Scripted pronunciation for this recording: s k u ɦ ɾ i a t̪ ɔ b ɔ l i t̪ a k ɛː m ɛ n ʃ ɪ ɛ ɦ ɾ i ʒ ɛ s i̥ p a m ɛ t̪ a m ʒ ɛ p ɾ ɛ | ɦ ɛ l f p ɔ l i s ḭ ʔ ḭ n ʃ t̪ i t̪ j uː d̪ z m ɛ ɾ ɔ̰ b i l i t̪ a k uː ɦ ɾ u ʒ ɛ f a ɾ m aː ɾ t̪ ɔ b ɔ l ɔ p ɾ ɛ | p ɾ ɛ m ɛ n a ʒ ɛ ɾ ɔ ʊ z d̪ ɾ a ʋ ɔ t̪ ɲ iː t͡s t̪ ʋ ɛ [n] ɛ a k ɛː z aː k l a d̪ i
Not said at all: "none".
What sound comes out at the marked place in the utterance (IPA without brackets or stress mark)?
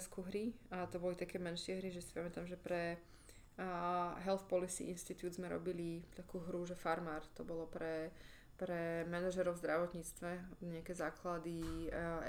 ɲ